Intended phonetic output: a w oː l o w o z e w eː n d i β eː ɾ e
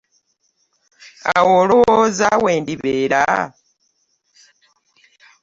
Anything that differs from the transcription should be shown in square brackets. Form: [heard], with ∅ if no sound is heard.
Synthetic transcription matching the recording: a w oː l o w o z [a] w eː n d i β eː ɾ [a]